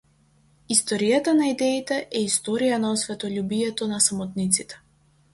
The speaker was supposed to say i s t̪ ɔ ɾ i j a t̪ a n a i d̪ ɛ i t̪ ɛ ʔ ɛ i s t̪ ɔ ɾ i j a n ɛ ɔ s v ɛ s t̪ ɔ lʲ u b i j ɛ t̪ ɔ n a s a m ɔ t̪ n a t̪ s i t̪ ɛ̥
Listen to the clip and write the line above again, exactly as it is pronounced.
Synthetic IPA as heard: i s t̪ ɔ ɾ i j a t̪ a n a i d̪ ɛ i t̪ ɛ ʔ ɛ i s t̪ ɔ ɾ i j a n a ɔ s v ɛ t̪ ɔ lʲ u b i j ɛ t̪ ɔ n a s a m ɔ t̪ n i t̪ s i t̪ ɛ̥

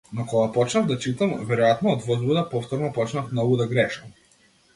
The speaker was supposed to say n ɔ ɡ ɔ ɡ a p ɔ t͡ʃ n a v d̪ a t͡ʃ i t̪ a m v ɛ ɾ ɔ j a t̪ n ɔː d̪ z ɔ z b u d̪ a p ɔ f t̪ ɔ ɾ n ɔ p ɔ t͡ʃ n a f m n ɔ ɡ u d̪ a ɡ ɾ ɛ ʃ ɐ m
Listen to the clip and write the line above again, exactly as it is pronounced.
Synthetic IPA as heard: n ɔ k ɔ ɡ a p ɔ t͡ʃ n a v d̪ a t͡ʃ i t̪ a m v ɛ ɾ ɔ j a t̪ n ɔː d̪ v ɔ z b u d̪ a p ɔ f t̪ ɔ ɾ n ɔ p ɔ t͡ʃ n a f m n ɔ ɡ u d̪ a ɡ ɾ ɛ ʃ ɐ m

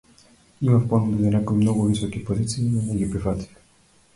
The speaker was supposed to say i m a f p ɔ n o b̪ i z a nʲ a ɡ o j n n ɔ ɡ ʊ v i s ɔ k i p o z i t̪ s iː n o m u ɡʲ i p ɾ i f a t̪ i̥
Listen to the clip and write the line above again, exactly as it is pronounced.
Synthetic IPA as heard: i m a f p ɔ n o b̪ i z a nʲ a k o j m n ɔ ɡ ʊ v i s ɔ k i p o z i t̪ s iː n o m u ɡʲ i p ɾ i f a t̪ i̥

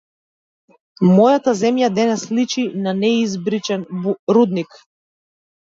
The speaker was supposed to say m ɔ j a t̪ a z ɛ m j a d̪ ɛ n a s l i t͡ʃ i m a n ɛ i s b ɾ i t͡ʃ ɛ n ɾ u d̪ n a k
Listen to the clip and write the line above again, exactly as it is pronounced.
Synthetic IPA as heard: m ɔ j a t̪ a z ɛ m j a d̪ ɛ n ɛ s l i t͡ʃ i n a n ɛ i z b ɾ i t͡ʃ ɛ n ɾ u d̪ n i k

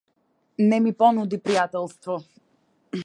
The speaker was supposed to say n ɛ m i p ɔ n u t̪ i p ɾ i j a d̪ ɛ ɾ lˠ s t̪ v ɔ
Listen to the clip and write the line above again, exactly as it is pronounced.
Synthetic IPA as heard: n ɛ m i p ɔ n u d̪ i p ɾ i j a t̪ ɛ lˠ s t̪ v ɔ

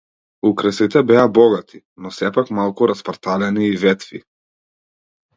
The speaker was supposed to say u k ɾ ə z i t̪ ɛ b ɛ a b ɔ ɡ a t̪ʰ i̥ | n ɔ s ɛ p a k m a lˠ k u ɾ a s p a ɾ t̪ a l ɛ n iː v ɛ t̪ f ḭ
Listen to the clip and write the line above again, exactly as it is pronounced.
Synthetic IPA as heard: u k ɾ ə s i t̪ ɛ b ɛ a b ɔ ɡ a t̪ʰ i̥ | n ɔ s ɛ p a k m a lˠ k u ɾ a s p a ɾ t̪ a l ɛ n iː v ɛ t̪ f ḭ

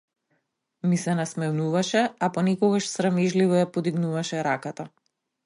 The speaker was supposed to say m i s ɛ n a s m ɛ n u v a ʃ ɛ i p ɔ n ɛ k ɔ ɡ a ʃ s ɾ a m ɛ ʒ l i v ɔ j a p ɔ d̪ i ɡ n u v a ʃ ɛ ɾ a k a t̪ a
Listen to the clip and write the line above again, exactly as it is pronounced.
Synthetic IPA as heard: m i s ɛ n a s m ɛ n u v a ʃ ɛ a p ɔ n ɛ k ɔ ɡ a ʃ s ɾ a m ɛ ʒ l i v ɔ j a p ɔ d̪ i ɡ n u v a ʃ ɛ ɾ a k a t̪ a

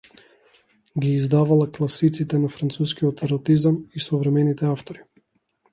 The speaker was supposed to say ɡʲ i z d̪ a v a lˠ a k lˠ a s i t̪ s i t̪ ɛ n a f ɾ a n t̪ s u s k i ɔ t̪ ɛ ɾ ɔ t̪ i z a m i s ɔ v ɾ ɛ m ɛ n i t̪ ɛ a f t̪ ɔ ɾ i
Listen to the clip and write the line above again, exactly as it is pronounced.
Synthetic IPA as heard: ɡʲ iː z d̪ a v a lˠ a k lˠ a s i t̪ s i t̪ ɛ n a f ɾ a n t̪ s u s k i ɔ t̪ ɛ ɾ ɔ t̪ i z a m i s ɔ v ɾ ɛ m ɛ n i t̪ ɛ a f t̪ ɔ ɾ i

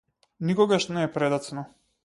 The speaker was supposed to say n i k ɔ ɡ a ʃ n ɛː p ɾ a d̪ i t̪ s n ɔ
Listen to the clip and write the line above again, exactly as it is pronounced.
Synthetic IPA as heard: n i k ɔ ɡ a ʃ n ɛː p ɾ ɛ d̪ a t̪ s n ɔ

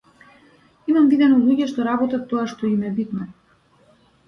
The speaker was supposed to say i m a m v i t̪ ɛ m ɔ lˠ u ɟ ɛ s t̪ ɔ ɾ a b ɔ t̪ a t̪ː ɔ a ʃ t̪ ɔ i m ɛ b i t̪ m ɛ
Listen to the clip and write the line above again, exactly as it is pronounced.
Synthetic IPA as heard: i m a m v i d̪ ɛ n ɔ lˠ u ɟ ɛ ʃ t̪ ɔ ɾ a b ɔ t̪ a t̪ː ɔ a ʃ t̪ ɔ i m ɛ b i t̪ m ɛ

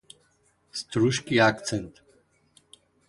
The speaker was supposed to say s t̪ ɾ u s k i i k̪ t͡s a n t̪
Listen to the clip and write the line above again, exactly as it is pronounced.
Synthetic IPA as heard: s t̪ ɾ u ʃ k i a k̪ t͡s ɛ n t̪

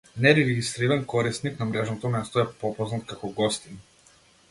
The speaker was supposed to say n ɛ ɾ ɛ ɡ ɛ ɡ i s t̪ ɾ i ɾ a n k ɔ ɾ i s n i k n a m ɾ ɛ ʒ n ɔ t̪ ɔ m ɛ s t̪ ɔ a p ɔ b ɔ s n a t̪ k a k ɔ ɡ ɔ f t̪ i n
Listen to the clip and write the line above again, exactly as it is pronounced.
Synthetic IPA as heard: n ɛ ɾ ɛ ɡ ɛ ɡ i s t̪ ɾ i ɾ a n k ɔ ɾ i s n i k n a m ɾ ɛ ʒ n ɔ t̪ ɔ m ɛ s t̪ ɔ ɛ p ɔ p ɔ z n a t̪ k a k ɔ ɡ ɔ s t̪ i n

